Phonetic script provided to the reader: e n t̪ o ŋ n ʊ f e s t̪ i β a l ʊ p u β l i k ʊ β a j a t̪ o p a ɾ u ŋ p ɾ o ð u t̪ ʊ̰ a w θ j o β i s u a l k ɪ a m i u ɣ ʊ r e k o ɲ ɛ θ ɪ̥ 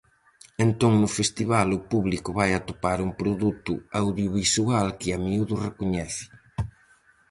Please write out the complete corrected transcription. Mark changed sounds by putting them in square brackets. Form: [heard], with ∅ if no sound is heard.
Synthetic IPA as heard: e n t̪ o ŋ n ʊ f e s t̪ i β a l ʊ p u β l i k ʊ β a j a t̪ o p a ɾ u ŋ p ɾ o ð u t̪ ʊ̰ a w [ð] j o β i s u a l k ɪ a m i u [ð] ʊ r e k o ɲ ɛ θ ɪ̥